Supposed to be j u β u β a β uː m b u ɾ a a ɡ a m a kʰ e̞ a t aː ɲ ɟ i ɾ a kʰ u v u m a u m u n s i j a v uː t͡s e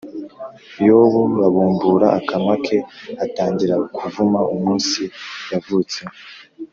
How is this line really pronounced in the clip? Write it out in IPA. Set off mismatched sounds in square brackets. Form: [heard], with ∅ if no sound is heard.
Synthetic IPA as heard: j [o] β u β a β uː m b u ɾ a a [k] a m a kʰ e̞ a t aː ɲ ɟ i ɾ a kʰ u v u m a u m [uː] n s i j a v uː t͡s e